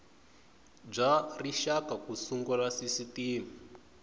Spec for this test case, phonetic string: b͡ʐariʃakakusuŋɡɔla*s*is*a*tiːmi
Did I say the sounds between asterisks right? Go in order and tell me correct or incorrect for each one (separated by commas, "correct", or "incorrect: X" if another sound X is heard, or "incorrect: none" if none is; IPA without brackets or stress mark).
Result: correct, incorrect: i